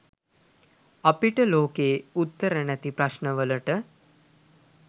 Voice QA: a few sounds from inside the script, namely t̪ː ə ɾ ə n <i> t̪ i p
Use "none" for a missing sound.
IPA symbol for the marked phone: æ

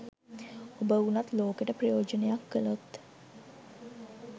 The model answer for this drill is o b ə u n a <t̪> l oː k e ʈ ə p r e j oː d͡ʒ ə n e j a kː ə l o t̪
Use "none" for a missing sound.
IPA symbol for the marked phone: t̪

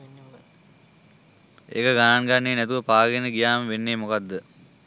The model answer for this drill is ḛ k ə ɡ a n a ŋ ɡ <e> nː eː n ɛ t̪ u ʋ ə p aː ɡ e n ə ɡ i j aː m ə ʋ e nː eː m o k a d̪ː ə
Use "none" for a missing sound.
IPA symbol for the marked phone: a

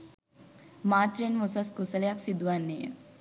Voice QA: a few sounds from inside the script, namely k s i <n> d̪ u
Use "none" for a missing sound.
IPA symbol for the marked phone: none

